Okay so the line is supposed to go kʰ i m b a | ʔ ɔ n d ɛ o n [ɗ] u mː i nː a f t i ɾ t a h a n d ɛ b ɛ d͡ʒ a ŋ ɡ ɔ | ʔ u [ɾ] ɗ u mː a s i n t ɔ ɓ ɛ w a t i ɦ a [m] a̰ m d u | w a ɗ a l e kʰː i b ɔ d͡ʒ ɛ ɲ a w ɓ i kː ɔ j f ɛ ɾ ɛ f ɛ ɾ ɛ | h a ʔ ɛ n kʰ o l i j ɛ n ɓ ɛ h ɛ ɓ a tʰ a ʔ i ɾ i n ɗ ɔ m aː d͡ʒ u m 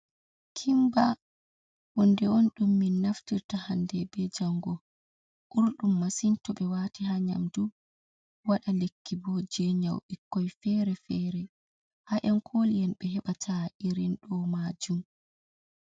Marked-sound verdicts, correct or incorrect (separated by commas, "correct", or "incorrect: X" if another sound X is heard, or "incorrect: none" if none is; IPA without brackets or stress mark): correct, correct, incorrect: ɲ